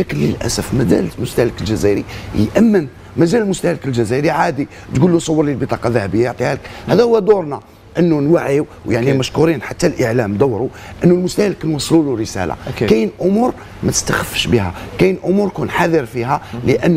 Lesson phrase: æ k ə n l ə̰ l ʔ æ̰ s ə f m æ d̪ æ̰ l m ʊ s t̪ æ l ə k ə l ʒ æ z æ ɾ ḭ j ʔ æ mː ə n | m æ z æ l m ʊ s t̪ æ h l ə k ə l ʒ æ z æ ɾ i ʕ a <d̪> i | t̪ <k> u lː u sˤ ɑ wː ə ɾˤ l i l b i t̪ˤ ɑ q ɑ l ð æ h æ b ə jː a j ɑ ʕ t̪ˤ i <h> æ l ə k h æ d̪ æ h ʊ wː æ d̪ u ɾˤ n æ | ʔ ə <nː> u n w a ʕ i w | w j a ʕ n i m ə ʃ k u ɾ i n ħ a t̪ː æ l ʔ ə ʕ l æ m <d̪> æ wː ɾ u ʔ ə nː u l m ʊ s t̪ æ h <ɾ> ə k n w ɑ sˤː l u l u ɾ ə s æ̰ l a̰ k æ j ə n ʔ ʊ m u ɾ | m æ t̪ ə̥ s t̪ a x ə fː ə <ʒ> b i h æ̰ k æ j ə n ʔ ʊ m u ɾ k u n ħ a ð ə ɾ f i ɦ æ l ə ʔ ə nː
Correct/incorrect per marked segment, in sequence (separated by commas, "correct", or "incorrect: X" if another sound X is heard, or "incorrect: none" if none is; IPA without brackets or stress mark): correct, incorrect: ɡ, correct, correct, correct, incorrect: l, incorrect: ʃ